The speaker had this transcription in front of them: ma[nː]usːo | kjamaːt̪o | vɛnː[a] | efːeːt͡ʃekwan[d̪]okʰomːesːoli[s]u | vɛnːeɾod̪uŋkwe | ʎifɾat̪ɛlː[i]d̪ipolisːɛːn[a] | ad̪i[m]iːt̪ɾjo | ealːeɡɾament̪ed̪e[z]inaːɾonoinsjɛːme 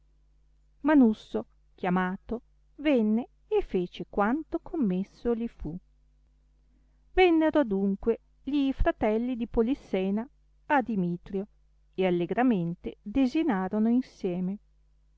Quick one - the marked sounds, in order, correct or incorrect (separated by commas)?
incorrect, incorrect, incorrect, incorrect, correct, correct, correct, correct